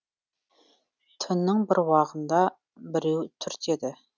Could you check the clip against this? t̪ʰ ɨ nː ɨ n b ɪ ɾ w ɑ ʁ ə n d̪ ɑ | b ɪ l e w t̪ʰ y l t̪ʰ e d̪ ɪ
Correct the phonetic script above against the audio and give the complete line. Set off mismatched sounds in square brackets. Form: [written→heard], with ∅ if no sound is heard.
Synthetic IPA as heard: t̪ʰ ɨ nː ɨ [n→ŋ] b ɪ ɾ w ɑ ʁ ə n d̪ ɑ | b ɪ [l→ɾ] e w t̪ʰ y [l→ɾ] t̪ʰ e d̪ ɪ